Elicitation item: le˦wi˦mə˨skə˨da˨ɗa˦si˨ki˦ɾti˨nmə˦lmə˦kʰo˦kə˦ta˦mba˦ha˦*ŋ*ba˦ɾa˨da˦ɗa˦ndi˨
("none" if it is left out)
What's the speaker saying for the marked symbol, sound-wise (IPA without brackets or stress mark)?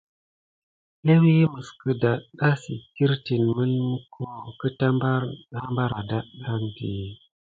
m